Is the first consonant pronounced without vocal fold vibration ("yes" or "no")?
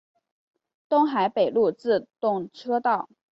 yes